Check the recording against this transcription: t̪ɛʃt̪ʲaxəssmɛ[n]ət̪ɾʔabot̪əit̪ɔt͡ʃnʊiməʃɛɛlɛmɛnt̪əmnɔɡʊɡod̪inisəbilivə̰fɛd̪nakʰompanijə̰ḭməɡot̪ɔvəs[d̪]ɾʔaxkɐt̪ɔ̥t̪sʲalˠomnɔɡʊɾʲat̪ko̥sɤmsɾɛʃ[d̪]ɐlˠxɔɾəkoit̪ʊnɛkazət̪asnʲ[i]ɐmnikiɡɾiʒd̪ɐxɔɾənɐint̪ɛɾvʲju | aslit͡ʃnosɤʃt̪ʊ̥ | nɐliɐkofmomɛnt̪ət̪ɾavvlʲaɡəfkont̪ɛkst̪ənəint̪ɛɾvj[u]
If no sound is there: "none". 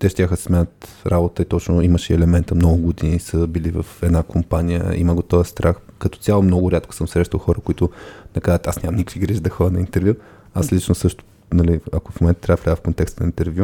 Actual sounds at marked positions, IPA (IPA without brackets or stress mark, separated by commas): n, t̪, t̪, a, u